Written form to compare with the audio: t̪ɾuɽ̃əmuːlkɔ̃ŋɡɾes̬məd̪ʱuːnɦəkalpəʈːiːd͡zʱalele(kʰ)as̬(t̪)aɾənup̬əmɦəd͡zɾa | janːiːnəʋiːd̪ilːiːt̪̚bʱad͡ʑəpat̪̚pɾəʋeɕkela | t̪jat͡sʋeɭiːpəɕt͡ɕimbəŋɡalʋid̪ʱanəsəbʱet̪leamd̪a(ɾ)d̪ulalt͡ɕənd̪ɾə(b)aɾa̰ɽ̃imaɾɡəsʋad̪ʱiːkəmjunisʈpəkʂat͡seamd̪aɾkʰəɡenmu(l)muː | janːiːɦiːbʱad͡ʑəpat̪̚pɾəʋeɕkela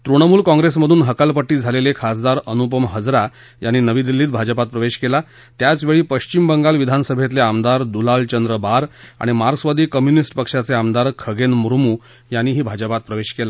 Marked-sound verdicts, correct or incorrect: correct, incorrect, correct, correct, incorrect

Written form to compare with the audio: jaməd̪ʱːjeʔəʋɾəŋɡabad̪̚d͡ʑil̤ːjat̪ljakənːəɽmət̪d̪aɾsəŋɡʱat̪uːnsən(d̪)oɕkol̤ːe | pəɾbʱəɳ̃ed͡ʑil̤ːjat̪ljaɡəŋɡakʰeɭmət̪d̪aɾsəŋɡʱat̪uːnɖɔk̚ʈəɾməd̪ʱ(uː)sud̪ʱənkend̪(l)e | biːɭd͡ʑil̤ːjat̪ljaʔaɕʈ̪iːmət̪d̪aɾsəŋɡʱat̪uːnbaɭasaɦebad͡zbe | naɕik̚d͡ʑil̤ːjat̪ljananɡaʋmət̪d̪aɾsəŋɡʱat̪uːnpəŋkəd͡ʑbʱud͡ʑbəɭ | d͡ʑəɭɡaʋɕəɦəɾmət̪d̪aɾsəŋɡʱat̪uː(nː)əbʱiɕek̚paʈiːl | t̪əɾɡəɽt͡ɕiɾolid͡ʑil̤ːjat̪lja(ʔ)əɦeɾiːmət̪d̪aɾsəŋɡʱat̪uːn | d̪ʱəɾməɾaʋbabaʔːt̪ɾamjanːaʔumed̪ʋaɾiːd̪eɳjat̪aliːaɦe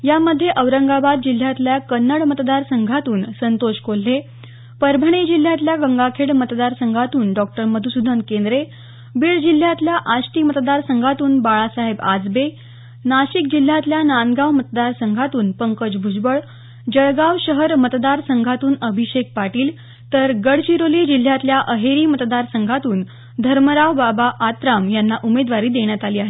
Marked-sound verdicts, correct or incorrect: incorrect, incorrect, incorrect, incorrect, correct

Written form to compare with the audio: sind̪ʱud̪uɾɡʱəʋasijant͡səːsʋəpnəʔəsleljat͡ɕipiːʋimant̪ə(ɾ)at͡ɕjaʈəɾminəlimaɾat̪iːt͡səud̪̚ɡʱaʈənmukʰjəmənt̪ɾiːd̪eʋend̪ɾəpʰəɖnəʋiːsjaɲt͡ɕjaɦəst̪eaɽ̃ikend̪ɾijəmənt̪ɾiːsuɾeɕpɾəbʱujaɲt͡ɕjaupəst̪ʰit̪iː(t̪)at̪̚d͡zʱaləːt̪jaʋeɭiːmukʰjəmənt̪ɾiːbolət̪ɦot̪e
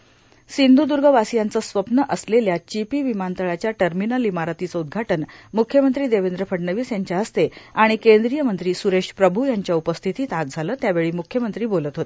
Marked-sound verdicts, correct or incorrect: incorrect, correct

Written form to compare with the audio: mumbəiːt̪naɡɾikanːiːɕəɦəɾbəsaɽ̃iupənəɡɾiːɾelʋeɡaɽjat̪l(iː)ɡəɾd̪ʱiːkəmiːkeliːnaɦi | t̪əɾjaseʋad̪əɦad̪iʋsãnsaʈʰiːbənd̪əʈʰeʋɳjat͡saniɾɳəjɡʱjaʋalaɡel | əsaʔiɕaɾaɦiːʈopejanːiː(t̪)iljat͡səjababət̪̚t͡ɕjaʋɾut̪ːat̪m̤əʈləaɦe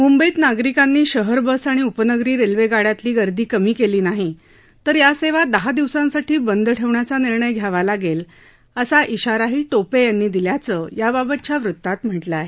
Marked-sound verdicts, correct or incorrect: correct, incorrect

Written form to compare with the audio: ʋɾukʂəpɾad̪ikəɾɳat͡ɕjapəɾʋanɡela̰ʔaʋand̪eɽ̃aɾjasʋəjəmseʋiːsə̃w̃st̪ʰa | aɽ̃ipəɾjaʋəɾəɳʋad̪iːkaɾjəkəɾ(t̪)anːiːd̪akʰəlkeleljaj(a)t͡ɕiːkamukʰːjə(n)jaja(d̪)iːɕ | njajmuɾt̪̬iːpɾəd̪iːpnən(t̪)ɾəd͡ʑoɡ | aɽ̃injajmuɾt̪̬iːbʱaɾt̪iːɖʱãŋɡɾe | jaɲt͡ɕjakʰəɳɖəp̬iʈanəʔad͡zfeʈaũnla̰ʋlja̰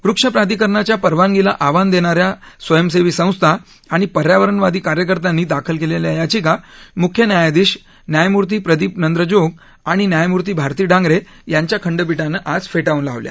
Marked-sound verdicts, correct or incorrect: correct, correct, correct, correct, incorrect

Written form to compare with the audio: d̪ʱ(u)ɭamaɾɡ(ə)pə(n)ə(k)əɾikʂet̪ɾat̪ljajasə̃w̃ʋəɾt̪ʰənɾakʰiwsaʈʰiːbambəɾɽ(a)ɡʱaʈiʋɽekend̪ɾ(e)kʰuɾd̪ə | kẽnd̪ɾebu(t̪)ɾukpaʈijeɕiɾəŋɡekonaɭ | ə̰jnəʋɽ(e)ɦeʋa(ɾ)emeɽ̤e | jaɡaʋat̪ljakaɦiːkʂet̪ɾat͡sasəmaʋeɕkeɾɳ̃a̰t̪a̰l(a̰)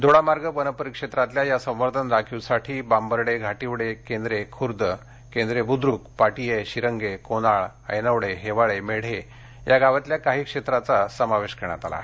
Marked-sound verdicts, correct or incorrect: incorrect, correct, correct, incorrect, incorrect, correct, incorrect, correct, incorrect, correct

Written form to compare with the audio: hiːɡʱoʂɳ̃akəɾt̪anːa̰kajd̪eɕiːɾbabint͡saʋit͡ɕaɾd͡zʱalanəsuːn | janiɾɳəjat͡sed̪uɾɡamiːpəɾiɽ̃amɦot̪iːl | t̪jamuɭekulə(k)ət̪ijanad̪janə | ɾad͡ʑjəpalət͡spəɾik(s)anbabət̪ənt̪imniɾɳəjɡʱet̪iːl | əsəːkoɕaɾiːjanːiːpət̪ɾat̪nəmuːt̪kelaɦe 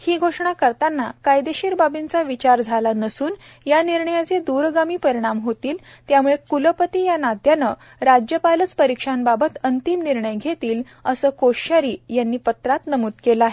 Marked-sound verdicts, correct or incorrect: incorrect, incorrect

